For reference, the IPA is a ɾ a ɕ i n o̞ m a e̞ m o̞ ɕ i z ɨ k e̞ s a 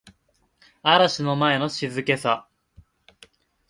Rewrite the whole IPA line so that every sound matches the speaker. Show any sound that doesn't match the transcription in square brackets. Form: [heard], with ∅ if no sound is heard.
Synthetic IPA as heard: a ɾ a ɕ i n o̞ m a e̞ [n] o̞ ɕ i z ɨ k e̞ s a